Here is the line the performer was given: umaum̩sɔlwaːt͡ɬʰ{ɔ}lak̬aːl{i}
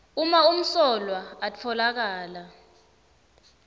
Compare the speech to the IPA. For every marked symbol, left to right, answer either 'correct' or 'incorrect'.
correct, incorrect: a

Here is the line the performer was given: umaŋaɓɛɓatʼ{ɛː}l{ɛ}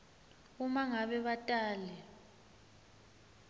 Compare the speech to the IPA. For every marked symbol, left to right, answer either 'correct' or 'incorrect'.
incorrect: aː, correct

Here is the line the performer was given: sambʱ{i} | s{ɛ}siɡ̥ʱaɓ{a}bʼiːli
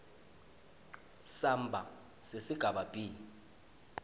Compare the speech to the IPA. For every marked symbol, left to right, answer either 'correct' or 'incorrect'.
incorrect: a, incorrect: e, correct

